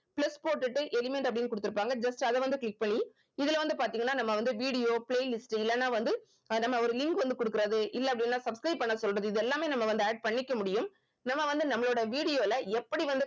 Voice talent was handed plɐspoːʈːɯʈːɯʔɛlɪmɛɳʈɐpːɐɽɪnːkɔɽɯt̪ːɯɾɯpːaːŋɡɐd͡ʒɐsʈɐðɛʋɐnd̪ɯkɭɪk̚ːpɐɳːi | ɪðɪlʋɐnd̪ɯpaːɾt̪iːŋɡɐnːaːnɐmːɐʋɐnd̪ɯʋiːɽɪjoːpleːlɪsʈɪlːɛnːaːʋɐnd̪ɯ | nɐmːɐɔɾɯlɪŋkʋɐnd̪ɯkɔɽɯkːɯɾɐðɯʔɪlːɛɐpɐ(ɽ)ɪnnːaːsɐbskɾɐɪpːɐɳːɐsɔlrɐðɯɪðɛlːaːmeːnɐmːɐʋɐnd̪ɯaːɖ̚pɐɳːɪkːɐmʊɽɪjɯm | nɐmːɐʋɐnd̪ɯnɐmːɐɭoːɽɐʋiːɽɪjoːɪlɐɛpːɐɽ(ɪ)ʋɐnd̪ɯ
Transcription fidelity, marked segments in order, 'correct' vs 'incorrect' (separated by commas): correct, incorrect